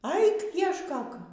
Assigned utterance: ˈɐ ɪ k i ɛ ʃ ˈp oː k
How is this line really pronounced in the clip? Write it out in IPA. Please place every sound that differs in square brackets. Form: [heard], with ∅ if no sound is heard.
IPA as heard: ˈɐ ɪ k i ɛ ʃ [ˈk] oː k